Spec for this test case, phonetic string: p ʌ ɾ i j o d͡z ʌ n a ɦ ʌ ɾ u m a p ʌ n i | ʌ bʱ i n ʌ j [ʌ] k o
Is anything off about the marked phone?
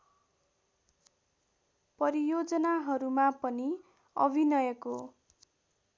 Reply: no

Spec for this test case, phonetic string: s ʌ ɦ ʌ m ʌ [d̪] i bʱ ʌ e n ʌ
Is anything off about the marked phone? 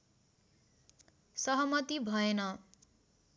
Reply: yes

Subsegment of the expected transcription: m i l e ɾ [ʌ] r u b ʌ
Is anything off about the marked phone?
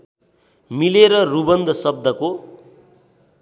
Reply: no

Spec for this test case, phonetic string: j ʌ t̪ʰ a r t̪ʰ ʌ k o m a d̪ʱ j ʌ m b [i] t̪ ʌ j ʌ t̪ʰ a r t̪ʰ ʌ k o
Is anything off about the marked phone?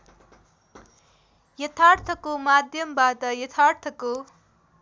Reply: yes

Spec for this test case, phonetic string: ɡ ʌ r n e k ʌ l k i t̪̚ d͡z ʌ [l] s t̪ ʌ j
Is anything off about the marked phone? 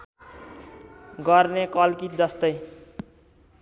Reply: yes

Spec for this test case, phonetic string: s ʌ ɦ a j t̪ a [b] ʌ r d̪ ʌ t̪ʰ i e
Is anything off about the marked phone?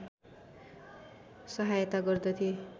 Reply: yes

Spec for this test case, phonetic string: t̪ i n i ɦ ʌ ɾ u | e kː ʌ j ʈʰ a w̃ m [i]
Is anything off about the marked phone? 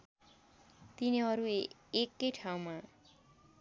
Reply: yes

